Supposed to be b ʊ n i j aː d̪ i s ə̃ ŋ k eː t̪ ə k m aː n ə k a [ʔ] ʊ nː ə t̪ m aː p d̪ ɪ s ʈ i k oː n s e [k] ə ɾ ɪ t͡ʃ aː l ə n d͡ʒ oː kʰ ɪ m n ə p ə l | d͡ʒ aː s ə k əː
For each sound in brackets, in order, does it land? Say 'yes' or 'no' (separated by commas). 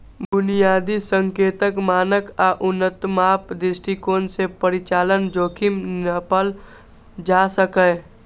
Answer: yes, no